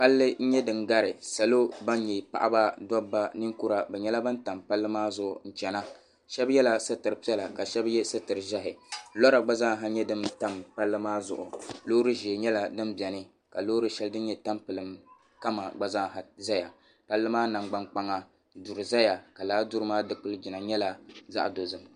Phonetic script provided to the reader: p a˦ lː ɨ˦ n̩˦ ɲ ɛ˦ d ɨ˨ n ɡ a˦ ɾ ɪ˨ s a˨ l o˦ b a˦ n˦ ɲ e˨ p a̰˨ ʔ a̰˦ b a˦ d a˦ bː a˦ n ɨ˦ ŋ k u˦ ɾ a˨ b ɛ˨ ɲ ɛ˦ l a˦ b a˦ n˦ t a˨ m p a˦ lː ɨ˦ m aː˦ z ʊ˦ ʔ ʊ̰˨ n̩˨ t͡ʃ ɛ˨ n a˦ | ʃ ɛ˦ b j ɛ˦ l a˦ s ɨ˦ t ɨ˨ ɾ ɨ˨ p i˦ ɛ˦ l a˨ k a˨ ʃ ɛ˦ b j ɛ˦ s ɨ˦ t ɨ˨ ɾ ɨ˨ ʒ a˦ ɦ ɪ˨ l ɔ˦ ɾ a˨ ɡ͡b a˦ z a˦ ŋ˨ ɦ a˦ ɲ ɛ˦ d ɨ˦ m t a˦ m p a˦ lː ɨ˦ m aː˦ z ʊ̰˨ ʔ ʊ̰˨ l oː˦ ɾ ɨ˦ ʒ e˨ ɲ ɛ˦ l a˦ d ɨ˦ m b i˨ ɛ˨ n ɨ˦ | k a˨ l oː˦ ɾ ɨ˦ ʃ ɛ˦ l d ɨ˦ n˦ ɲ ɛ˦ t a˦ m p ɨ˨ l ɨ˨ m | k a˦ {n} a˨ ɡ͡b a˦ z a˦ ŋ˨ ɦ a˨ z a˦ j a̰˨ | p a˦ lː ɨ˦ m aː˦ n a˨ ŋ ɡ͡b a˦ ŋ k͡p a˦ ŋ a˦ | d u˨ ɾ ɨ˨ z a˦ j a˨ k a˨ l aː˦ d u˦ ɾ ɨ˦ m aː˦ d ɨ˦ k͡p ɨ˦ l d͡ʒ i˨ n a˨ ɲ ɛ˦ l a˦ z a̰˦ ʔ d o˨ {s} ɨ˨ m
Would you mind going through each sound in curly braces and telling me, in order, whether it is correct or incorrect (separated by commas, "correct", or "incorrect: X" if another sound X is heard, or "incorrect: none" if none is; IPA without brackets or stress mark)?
incorrect: m, incorrect: z